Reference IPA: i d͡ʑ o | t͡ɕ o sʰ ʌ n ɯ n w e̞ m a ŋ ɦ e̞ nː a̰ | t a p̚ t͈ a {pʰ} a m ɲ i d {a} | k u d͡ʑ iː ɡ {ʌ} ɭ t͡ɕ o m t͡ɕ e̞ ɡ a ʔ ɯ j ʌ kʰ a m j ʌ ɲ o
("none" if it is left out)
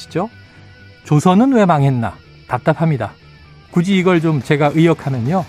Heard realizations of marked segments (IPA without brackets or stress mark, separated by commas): pʰ, a, ʌ